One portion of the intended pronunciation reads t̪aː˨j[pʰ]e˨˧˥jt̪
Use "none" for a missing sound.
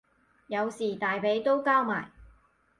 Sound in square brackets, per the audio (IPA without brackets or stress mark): p